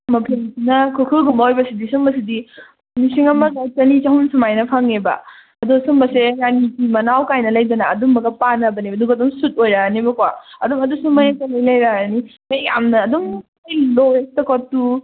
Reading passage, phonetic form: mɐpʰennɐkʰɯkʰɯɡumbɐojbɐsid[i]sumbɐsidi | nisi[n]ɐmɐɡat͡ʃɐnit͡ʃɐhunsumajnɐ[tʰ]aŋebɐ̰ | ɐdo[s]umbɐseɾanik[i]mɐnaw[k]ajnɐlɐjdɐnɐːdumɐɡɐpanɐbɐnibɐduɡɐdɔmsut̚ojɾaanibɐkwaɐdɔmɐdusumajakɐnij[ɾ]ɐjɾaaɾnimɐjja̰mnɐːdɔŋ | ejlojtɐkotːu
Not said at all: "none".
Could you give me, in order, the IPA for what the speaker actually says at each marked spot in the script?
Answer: i, ŋ, pʰ, s, i, k, l

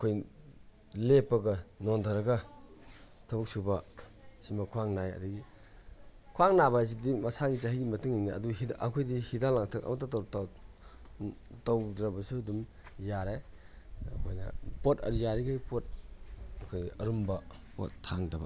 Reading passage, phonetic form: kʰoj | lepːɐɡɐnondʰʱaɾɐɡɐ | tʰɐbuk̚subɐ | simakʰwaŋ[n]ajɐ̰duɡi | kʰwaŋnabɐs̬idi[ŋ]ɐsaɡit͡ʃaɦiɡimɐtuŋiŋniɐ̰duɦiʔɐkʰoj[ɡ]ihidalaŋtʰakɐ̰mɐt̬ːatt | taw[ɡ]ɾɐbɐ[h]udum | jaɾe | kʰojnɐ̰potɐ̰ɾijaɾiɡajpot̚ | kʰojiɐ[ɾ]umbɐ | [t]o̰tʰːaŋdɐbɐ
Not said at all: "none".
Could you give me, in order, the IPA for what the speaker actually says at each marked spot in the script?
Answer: n, m, d, d, s, ɾ, p

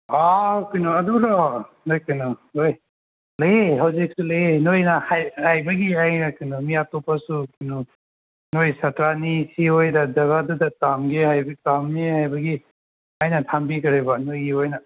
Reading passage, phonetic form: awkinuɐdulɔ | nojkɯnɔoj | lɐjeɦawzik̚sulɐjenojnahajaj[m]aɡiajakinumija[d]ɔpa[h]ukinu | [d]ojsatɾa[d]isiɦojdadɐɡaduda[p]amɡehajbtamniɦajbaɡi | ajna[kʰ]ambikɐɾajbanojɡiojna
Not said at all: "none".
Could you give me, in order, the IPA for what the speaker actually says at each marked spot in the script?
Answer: b, t, s, n, n, t, tʰ

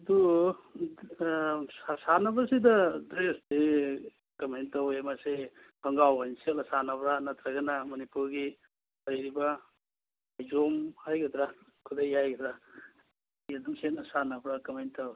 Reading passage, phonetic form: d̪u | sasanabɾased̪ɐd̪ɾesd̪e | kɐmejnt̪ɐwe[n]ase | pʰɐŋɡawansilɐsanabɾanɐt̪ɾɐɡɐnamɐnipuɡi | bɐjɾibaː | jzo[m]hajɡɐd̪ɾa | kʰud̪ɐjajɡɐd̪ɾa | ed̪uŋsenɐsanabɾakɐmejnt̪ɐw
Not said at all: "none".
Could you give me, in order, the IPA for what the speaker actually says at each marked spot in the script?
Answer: m, m

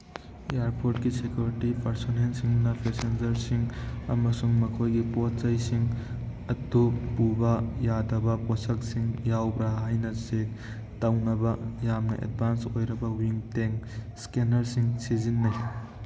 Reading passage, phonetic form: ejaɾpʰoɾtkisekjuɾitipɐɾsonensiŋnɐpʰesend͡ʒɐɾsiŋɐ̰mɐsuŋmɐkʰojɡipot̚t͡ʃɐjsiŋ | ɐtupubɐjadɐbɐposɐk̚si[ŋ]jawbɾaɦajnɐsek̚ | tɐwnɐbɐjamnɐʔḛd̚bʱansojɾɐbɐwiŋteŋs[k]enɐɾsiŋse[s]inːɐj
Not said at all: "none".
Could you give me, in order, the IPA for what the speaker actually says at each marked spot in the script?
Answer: ŋ, k, z

